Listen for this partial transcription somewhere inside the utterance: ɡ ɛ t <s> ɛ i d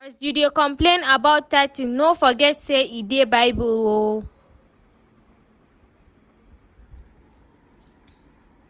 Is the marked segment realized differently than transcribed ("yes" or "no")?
no